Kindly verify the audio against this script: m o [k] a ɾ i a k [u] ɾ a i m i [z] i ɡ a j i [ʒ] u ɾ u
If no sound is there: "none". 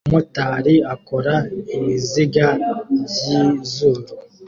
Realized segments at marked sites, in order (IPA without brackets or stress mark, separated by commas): t, o, z, z